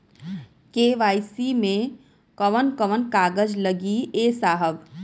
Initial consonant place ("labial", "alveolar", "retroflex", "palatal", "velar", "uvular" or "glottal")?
velar